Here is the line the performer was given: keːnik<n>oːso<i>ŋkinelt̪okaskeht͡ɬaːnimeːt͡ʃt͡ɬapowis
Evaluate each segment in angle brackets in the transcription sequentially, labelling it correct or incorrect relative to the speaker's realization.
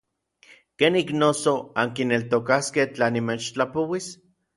correct, incorrect: a

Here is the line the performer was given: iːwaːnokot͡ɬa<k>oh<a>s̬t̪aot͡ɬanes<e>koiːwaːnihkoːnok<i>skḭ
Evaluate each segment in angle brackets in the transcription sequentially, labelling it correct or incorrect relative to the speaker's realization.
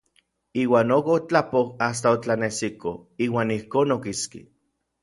incorrect: p, correct, incorrect: i, correct

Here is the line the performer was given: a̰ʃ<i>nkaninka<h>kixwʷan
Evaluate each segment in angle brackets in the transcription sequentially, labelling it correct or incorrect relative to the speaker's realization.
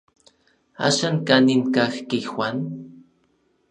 incorrect: a, incorrect: x

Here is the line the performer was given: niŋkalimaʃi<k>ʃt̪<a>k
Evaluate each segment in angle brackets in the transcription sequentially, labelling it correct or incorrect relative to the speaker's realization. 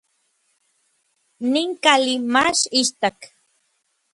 incorrect: none, correct

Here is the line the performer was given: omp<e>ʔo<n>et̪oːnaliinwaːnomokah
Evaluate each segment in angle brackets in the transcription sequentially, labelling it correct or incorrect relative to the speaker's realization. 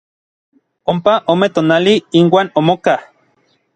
incorrect: a, incorrect: m

